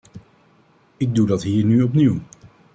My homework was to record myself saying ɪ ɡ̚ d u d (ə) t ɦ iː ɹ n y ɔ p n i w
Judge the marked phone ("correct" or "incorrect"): incorrect